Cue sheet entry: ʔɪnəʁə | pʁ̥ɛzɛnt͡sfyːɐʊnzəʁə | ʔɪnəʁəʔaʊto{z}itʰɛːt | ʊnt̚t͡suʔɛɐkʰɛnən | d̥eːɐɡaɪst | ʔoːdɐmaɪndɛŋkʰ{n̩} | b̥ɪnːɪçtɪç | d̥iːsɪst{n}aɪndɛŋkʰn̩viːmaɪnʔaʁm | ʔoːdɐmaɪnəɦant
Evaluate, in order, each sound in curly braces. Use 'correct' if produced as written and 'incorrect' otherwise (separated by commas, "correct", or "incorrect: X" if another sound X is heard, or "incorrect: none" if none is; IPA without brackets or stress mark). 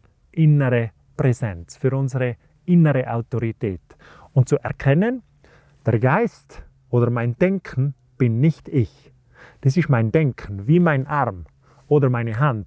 incorrect: ʁ, correct, incorrect: m